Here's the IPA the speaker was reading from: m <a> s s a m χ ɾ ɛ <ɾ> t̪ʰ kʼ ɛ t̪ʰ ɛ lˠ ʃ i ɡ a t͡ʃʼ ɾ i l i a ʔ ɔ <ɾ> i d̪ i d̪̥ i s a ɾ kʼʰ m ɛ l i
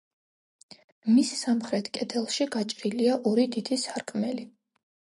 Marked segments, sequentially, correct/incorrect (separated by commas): incorrect, incorrect, correct